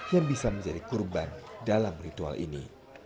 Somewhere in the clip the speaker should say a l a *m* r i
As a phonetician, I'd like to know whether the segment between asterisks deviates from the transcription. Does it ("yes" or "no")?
no